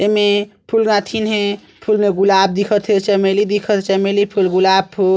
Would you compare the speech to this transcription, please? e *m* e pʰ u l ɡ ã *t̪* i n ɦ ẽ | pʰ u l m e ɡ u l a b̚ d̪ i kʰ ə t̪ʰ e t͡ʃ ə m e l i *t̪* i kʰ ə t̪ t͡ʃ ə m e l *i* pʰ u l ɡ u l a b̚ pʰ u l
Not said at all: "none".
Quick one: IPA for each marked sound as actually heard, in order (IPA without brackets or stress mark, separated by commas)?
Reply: m, t̪ʰ, d̪, i